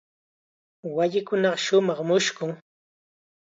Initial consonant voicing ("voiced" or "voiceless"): voiced